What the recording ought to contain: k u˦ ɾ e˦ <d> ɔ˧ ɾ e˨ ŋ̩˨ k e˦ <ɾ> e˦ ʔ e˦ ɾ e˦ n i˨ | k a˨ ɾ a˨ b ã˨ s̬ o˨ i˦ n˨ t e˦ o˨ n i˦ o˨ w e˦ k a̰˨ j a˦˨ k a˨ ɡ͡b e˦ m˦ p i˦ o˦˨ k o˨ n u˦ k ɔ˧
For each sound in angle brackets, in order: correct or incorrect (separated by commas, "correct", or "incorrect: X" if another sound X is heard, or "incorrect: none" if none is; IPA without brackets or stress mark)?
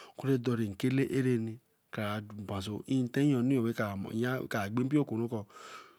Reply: correct, incorrect: l